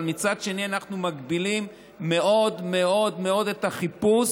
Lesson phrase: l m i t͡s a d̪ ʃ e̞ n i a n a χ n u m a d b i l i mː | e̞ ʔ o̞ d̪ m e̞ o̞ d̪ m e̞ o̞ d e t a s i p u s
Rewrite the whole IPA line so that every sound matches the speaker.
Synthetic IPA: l m i t͡s a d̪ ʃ e̞ n i a n a χ n u m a ɡ b i l i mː | e̞ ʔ o̞ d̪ m e̞ o̞ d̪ m e̞ o̞ d e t a χ i p u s